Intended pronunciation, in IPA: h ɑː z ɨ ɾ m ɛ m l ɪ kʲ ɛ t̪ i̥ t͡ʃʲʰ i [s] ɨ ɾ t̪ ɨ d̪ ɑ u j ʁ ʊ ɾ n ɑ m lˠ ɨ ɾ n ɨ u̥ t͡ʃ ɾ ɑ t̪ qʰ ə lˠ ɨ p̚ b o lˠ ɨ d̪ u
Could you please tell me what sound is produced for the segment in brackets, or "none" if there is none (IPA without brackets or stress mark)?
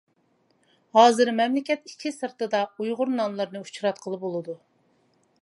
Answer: s